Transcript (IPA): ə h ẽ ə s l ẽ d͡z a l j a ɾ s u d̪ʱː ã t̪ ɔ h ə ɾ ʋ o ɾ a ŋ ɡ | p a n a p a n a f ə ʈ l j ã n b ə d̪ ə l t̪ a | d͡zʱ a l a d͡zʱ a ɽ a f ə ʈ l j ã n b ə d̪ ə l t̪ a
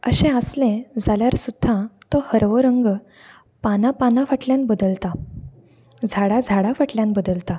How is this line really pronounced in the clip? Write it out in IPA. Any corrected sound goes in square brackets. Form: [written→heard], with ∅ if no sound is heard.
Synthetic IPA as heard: ə [h→ɕ] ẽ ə s l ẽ d͡z a l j a ɾ s u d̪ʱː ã t̪ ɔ h ə ɾ ʋ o ɾ [a→ə] ŋ ɡ | p a n a p a n a f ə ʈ l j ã n b ə d̪ ə l t̪ a | d͡zʱ a [l→ɽ] a d͡zʱ a ɽ a f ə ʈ l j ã n b ə d̪ ə l t̪ a